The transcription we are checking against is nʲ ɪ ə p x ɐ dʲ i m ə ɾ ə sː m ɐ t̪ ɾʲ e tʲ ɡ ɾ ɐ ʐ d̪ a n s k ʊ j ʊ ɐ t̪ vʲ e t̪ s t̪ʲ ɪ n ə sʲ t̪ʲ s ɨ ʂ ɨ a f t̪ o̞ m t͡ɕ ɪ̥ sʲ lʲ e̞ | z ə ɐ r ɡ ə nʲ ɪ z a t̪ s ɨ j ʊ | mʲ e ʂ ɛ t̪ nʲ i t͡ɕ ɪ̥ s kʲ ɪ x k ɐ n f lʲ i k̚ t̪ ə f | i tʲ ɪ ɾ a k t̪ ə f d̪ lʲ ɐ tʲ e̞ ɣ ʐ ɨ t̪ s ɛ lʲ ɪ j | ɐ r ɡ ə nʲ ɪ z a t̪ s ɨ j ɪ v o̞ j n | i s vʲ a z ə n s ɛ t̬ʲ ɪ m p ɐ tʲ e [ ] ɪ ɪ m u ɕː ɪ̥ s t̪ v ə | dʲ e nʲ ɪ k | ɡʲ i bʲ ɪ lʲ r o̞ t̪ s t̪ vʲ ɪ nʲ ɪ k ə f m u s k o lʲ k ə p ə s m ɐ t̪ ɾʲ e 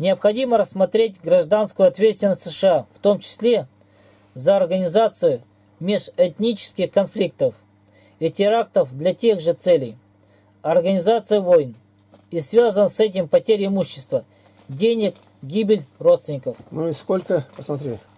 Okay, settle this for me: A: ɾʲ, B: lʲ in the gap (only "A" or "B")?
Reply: A